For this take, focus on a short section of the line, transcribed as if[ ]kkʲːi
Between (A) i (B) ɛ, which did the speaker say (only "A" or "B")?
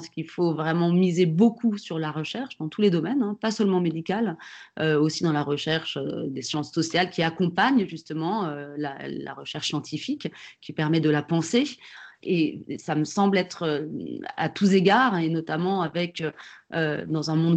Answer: A